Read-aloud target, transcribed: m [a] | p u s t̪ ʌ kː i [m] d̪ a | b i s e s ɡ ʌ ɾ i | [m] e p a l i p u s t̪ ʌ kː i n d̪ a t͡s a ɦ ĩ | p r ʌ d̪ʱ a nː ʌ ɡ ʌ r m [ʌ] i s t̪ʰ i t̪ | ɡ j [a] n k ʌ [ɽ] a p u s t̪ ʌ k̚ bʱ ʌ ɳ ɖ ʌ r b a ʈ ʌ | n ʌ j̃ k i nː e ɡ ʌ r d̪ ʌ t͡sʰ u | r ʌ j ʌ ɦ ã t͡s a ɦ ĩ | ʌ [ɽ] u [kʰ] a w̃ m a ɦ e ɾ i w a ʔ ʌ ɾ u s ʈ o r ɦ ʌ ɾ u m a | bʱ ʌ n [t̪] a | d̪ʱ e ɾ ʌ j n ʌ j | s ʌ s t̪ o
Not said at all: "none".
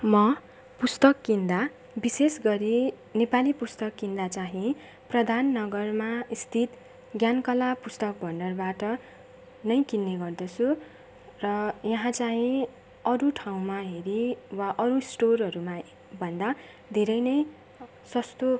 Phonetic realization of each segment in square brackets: ʌ, n, n, a, a, l, ɾ, ʈʰ, d̪

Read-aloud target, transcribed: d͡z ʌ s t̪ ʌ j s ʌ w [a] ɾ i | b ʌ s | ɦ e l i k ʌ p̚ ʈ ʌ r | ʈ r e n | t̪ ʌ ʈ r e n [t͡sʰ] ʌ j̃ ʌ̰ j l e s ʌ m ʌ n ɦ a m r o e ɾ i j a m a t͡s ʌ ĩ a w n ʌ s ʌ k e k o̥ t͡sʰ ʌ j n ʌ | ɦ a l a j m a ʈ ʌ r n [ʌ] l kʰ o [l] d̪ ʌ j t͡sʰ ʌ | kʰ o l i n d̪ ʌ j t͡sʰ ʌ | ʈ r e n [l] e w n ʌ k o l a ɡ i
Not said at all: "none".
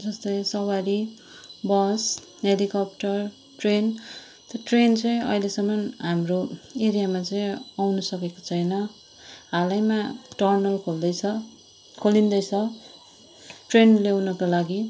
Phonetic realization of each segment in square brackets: a, t͡s, ʌ, l, l

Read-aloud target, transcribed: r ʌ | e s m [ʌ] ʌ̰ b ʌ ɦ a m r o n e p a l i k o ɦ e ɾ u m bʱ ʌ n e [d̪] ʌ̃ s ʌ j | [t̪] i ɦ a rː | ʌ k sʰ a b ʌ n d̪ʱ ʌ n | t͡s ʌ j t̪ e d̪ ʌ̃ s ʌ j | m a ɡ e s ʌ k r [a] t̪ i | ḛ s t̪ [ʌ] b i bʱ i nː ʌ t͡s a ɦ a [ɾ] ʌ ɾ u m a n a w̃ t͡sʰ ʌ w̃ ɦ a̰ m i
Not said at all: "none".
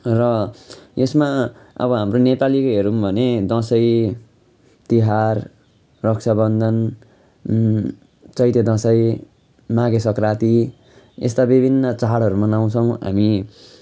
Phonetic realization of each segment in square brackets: a, d̪, t̪, a, a, ɽ

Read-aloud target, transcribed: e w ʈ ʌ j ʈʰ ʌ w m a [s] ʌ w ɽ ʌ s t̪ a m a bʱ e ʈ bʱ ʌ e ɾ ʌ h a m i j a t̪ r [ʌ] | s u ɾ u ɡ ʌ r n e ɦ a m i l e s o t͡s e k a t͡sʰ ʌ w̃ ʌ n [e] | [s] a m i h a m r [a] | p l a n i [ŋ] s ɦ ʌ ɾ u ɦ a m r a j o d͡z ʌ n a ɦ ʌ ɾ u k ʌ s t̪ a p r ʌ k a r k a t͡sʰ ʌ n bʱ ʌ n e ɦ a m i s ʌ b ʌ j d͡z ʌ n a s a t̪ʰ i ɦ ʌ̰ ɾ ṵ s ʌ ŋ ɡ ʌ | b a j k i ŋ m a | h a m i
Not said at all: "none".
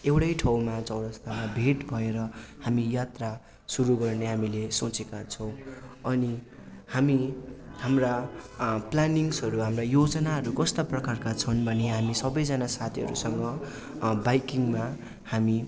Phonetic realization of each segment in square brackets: t͡s, a, i, h, a, ŋ

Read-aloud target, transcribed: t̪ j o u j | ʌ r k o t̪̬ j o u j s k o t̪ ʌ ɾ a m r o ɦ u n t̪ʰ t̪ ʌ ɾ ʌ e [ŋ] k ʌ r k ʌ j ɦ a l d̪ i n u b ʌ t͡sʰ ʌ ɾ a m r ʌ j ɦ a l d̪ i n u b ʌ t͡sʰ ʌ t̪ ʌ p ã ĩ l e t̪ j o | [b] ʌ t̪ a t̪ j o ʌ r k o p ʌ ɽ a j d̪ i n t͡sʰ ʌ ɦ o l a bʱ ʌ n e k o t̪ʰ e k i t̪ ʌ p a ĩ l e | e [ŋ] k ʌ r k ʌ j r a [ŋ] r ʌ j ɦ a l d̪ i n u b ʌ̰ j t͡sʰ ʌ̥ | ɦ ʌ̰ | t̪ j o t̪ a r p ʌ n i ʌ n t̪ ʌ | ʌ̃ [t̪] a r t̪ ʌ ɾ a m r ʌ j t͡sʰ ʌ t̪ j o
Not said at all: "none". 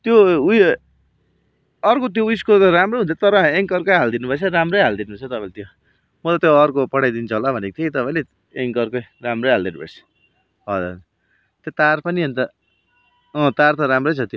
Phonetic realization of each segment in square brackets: ŋ, m, ŋ, m, t̪

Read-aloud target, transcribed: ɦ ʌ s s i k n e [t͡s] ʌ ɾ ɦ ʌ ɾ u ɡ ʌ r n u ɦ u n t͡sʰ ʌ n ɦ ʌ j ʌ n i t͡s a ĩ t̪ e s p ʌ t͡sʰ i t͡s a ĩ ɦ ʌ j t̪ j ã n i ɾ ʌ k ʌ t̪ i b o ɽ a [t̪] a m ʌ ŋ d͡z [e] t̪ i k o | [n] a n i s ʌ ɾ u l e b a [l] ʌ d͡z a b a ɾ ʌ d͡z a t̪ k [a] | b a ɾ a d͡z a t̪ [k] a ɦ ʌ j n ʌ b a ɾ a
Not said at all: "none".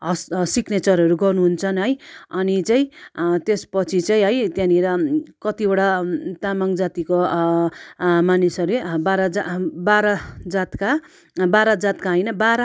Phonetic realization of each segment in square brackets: t͡s, t̪, a, m, ɾ, a, k

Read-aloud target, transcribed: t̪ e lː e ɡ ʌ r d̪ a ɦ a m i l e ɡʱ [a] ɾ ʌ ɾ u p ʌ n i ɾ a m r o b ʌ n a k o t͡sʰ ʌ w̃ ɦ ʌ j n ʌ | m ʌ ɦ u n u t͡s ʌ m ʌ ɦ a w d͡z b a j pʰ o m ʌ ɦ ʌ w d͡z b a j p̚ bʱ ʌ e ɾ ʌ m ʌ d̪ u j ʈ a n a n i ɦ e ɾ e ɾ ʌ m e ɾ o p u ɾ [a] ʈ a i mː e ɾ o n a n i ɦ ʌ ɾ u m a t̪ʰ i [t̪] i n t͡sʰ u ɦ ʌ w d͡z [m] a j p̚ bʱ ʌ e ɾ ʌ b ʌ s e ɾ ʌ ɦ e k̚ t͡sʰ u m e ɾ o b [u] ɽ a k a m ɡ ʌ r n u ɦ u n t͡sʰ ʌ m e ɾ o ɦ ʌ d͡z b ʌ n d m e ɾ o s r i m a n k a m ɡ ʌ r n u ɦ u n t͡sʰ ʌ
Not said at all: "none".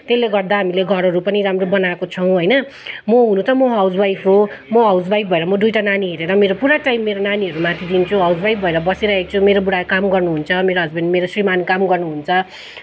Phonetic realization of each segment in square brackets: ʌ, a, d̪, b, u

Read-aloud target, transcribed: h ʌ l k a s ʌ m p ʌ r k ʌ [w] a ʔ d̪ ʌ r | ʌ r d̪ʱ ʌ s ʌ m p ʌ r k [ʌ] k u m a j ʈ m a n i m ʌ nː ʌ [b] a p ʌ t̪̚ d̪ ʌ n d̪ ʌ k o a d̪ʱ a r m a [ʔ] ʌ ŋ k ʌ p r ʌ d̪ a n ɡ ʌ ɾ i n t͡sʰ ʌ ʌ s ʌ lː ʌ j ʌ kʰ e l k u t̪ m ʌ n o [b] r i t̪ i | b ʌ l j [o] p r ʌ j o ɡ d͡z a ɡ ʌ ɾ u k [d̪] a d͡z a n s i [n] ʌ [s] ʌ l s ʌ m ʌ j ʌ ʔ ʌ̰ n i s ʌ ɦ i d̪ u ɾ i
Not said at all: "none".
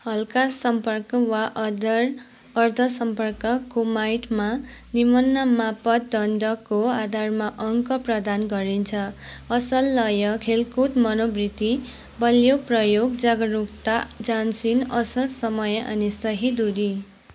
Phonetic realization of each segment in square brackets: w, ʌ, m, ʔ, b, o, t̪, n, s

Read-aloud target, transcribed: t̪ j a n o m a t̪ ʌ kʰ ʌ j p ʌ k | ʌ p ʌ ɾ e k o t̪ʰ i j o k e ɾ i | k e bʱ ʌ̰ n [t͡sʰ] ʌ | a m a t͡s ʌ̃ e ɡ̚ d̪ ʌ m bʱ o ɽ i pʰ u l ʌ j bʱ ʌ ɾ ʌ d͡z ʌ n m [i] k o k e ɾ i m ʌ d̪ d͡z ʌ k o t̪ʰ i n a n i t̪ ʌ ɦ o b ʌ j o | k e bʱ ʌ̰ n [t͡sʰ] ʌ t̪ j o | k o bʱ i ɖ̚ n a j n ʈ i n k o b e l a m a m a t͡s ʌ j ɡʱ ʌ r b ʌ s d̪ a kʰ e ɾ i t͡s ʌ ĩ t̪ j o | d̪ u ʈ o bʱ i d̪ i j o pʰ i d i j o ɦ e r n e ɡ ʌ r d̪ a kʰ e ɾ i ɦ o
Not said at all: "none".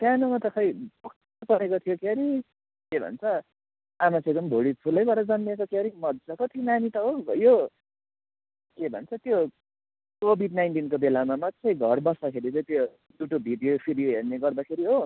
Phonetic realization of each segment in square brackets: t͡sʰ, e, t͡sʰ

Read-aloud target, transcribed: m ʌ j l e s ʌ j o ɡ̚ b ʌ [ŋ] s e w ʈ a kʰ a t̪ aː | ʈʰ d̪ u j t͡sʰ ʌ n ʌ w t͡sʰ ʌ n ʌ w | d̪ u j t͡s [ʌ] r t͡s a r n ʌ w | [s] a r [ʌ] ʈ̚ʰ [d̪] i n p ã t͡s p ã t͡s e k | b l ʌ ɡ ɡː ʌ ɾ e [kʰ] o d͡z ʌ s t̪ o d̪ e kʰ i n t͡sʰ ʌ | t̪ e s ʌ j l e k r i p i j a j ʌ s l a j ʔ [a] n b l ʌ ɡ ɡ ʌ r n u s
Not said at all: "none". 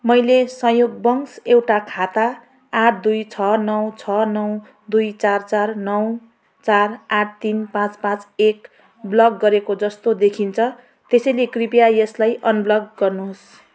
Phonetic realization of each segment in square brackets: ŋ, a, t͡s, a, t̪, k, ʌ

